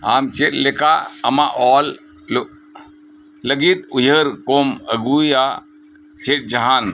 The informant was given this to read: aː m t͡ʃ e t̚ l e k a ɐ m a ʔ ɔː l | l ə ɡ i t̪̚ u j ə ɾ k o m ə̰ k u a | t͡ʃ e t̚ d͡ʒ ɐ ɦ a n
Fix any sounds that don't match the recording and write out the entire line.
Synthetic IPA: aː m t͡ʃ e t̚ l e k a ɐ m a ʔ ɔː l | l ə ɡ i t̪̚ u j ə ɾ k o m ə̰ ɡ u a | t͡ʃ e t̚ d͡ʒ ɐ ɦ a n